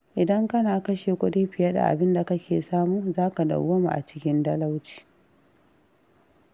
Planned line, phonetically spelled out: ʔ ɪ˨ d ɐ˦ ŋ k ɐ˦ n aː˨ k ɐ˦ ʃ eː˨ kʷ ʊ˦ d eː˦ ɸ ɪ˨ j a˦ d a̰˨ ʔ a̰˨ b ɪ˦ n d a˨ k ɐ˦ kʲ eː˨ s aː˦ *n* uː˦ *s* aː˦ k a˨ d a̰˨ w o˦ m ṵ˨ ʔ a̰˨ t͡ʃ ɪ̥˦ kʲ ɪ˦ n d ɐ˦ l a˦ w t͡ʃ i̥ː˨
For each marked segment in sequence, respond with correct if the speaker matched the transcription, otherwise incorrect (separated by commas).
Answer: incorrect, incorrect